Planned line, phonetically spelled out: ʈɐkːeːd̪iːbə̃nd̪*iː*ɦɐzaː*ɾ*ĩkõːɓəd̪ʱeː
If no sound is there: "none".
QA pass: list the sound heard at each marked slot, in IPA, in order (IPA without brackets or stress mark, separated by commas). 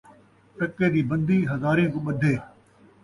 iː, ɾ